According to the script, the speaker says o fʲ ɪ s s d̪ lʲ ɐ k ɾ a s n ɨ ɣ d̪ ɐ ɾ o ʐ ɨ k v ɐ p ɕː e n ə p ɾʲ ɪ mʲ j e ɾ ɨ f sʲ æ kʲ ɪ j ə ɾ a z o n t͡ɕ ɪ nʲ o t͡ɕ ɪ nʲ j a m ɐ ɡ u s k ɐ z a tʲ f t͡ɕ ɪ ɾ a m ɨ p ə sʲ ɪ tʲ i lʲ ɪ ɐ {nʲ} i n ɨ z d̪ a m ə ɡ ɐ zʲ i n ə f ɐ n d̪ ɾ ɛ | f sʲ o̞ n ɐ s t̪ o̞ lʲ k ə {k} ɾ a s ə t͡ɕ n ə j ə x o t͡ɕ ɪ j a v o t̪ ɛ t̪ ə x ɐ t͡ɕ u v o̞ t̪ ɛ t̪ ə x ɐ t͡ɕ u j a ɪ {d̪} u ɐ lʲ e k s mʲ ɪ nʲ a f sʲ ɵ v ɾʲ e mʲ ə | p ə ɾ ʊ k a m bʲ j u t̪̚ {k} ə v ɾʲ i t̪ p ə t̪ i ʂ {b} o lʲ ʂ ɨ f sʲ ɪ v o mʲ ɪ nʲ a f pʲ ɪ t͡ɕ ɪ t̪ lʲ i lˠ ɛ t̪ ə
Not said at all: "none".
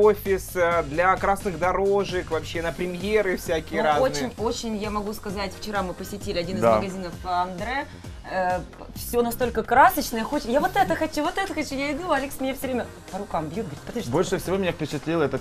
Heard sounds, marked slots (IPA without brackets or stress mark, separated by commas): dʲ, k, d̪, ɡ, b